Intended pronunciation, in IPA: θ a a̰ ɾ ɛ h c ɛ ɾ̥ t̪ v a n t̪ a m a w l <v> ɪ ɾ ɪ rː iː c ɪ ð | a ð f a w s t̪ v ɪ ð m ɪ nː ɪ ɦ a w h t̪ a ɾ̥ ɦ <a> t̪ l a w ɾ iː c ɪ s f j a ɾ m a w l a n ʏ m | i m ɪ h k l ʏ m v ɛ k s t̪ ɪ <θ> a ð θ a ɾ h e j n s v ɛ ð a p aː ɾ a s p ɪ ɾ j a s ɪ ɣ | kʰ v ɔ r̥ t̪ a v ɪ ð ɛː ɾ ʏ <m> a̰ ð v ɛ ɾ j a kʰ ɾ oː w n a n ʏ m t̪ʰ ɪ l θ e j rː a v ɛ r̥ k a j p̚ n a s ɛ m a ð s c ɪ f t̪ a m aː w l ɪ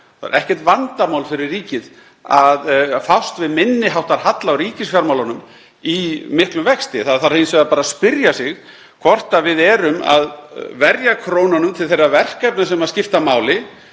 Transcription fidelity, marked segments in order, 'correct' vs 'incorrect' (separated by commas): incorrect, correct, correct, correct